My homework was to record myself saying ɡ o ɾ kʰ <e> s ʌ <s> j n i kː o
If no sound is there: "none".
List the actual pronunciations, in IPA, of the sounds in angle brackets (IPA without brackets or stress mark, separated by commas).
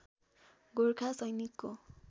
a, none